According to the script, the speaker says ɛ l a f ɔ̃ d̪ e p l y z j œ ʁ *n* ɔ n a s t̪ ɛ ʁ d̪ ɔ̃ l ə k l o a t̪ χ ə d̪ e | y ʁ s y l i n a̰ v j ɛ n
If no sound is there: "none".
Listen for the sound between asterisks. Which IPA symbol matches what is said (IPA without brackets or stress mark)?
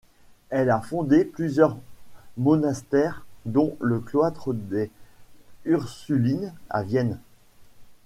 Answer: m